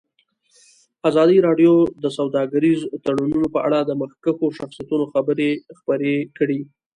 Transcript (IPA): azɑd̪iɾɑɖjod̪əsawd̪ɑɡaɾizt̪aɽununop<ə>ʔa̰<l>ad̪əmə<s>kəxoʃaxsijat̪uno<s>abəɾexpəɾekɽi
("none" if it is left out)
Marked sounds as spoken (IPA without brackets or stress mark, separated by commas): ə, ɽ, x, x